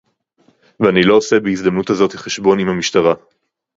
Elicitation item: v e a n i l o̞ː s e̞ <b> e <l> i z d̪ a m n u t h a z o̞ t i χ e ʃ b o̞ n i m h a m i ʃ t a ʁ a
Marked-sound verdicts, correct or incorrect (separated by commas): correct, incorrect